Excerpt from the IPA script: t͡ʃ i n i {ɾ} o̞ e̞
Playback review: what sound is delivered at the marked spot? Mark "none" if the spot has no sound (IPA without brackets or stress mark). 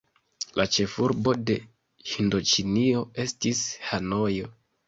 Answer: none